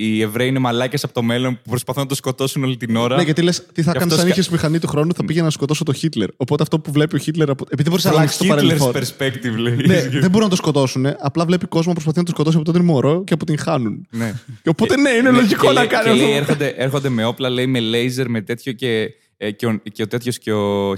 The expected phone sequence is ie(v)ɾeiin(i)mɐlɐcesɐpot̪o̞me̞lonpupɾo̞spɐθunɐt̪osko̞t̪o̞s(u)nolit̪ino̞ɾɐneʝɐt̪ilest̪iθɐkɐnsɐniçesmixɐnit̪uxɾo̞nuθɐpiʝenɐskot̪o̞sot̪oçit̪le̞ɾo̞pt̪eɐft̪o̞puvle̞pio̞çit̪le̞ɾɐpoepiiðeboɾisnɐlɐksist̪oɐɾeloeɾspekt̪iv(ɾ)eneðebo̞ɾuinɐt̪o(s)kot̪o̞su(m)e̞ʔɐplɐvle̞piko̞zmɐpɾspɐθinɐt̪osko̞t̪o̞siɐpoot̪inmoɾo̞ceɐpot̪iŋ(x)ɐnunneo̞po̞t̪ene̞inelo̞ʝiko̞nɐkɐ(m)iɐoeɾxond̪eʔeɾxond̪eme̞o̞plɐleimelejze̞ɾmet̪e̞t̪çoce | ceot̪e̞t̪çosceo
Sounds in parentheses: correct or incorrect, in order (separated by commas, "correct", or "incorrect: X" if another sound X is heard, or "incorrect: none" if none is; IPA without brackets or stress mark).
correct, incorrect: e, correct, incorrect: l, correct, incorrect: n, correct, incorrect: n